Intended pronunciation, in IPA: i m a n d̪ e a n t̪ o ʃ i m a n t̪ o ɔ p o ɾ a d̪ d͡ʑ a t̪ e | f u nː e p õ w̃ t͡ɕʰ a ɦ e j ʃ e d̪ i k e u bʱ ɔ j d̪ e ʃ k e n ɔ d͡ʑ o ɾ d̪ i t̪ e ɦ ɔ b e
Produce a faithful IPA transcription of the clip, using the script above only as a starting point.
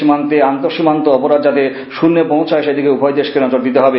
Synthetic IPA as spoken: i m a n t̪ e a n t̪ o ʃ i m a n t̪ o ɔ p o ɾ a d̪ d͡ʑ a t̪ e | ʃ u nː e p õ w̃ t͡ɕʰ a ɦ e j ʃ e d̪ i k e u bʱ ɔ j d̪ e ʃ k e n ɔ d͡ʑ o ɾ d̪ i t̪ e ɦ ɔ b e

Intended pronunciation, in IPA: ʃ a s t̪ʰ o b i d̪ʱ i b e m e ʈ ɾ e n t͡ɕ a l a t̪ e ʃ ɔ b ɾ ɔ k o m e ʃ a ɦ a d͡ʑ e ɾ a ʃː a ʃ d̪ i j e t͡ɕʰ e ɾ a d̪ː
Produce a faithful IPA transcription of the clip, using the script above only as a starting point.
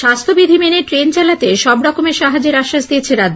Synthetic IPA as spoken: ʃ a s t̪ʰ o b i d̪ʱ i m e n e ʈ ɾ e n t͡ɕ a l a t̪ e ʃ ɔ b ɾ ɔ k o m e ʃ a ɦ a d͡ʑ e ɾ a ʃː a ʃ d̪ i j e t͡ɕʰ e ɾ a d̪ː

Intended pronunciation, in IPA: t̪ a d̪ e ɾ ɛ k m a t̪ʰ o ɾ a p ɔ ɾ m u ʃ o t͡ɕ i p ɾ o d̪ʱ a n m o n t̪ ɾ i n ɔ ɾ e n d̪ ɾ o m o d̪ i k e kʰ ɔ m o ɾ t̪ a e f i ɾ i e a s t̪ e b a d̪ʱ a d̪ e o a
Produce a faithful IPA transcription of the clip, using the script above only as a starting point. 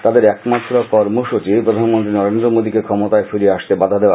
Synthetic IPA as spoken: t̪ a d̪ e ɾ ɛ k m a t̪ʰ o ɾ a p ɔ ɾ m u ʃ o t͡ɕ i p ɾ o d̪ʱ a n m o n t̪ ɾ i n ɔ ɾ e n d̪ ɾ o m o d̪ i k e kʰ ɔ m o t̪ a e f i ɾ i e a ʃ t̪ e b a d̪ʱ a d̪ e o a

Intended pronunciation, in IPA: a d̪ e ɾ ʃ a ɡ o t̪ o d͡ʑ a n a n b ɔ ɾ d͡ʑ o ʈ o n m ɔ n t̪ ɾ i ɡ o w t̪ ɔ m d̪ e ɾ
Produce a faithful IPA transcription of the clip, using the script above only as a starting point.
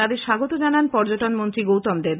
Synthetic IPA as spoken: a d̪ e ɾ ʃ a ɡ o t̪ o d͡ʑ a n a n p ɔ ɾ d͡ʑ o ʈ o n m o n t̪ ɾ i ɡ o w t̪ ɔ m d̪ e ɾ

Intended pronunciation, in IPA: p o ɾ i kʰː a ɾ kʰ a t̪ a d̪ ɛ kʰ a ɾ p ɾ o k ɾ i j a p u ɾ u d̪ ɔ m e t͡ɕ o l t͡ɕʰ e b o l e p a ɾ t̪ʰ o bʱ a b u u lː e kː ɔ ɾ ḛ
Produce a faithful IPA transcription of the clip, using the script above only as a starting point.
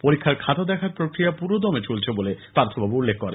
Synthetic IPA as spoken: p o ɾ i kʰː a ɾ kʰ a t̪ a d̪ ɛ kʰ a ɾ p ɾ o k ɾ i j a p u ɾ o d̪ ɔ m e t͡ɕ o l t͡ɕʰ e b o l e p a ɾ t̪ʰ o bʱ a b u u lː e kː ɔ ɾ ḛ

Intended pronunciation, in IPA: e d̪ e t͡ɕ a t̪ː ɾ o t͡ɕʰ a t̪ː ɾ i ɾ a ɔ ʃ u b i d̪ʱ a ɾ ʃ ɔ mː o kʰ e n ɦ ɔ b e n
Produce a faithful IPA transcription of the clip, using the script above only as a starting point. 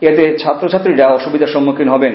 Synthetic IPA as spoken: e t̪ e t͡ɕʰ a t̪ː ɾ o t͡ɕʰ a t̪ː ɾ i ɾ a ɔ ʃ u b i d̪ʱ a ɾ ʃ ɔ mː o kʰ i n ɦ ɔ b e n

